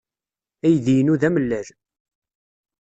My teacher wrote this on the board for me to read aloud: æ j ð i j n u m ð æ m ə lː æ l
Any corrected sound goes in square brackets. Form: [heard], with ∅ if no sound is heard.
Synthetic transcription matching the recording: æ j ð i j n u [∅] ð æ m ə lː æ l